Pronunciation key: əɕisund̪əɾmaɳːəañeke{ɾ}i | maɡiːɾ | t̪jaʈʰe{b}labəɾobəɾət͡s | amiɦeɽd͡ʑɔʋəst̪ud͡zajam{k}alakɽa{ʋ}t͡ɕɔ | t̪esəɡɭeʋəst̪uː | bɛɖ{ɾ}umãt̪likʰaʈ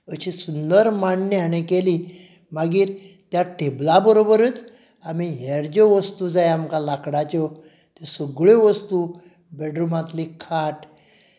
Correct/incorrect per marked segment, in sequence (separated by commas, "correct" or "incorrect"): incorrect, correct, correct, incorrect, correct